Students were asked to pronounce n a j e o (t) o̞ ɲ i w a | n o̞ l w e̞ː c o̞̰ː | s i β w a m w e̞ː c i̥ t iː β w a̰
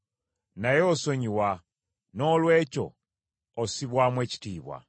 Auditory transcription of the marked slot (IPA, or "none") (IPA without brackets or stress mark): s